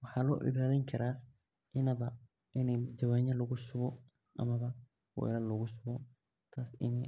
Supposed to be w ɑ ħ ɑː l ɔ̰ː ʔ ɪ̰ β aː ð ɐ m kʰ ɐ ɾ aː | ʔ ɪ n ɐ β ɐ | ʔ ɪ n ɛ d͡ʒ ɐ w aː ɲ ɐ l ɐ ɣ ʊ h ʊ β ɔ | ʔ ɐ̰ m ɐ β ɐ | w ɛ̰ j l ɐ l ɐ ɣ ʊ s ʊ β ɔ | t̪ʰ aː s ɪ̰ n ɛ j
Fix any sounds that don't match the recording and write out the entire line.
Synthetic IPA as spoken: w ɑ ħ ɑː l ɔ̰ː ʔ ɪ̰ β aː ð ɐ ŋ kʰ ɐ ɾ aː | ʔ ɪ n ɐ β ɐ | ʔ ɪ n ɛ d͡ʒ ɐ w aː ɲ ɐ l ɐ ɣ ʊ s ʊ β ɔ | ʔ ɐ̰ m ɐ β ɐ | w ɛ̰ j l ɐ l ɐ ɣ ʊ s ʊ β ɔ | t̪ʰ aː s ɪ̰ n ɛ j

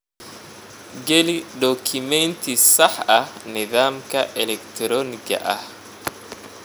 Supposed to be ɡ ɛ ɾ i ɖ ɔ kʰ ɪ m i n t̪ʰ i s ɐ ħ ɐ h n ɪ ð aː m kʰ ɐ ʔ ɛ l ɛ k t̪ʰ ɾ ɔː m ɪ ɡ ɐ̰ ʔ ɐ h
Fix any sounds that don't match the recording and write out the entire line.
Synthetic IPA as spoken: ɡ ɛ l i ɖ ɔ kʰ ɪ m ɛ n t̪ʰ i s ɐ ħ ɐ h n ɪ ð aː m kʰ ɐ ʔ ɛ l ɛ k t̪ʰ ɾ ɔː n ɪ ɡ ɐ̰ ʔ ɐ h

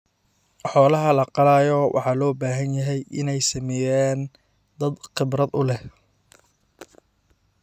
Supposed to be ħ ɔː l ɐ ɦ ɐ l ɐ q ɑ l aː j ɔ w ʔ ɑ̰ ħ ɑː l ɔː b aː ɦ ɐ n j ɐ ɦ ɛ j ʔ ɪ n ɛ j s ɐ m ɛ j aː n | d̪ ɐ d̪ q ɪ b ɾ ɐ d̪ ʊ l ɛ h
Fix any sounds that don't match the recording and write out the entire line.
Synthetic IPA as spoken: ħ ɔː l ɐ ɦ ɐ l ɐ q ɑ l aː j ɔ w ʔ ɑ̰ ħ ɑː l ɔː b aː ɦ ɐ n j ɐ ɦ ɛ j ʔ ɪ n ɛ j s ɐ m ɛ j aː n | d̪ ɐ d̪ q ɪ b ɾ ɐ d̪ ʊ l ɛ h

